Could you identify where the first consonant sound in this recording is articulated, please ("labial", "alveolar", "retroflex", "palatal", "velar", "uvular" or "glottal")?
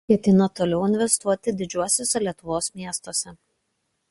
velar